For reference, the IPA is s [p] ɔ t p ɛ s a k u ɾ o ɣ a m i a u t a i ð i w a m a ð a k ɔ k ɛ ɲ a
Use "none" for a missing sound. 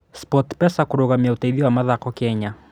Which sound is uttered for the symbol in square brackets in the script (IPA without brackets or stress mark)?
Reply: p